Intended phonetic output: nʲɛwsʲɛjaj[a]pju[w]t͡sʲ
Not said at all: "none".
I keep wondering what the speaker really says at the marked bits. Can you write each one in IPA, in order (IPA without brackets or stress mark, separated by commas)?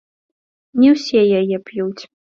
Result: ɛ, w